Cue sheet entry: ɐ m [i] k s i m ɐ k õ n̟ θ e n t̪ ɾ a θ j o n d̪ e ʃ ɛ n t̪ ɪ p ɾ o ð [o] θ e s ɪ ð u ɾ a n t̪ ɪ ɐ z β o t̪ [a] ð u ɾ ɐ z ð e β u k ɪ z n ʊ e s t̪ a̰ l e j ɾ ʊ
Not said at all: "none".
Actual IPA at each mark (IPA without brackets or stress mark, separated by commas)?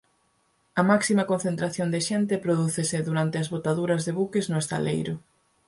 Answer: a, u, a